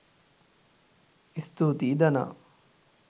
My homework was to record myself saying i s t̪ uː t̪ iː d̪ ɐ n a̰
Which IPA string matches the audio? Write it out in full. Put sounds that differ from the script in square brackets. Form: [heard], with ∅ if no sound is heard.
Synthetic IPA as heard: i s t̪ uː t̪ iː d̪ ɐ n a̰